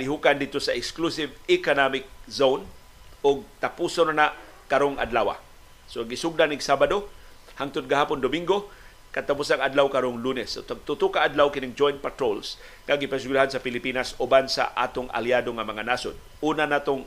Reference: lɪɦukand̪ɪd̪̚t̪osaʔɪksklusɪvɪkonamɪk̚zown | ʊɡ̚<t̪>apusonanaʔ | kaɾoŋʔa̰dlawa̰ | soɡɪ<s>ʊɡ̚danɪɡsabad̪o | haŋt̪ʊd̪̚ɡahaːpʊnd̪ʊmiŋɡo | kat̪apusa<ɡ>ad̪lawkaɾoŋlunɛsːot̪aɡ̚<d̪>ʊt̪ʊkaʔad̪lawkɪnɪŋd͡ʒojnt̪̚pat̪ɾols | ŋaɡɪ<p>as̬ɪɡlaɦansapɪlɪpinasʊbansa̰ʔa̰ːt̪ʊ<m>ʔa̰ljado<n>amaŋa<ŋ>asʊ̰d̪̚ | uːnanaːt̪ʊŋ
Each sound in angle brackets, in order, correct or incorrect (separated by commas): correct, correct, incorrect, incorrect, correct, incorrect, incorrect, incorrect